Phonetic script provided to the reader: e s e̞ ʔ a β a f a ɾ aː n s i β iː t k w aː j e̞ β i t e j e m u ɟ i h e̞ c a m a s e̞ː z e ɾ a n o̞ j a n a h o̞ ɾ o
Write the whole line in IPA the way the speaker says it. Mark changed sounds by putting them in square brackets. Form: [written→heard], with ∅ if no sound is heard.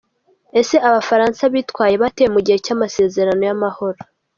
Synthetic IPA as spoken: e s e̞ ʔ a β a f a ɾ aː n s [i→a] β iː t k w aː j e̞ β [i→a] t e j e m u ɟ i h e̞ c a m a s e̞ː z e ɾ a n o̞ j a [n→m] a h o̞ ɾ o